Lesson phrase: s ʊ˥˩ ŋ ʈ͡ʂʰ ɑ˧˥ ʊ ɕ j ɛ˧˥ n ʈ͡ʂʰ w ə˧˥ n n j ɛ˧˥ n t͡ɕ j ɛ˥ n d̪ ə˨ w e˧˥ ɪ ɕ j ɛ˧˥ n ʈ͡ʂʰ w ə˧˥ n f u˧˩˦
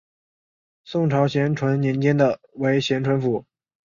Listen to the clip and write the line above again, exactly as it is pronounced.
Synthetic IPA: s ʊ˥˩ ŋ ʈ͡ʂʰ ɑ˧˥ ʊ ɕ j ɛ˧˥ n ʈ͡ʂʰ w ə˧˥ n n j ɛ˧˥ n t͡ɕ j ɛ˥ n d̪ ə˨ w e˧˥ ɪ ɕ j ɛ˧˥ n ʈ͡ʂʰ w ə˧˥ n f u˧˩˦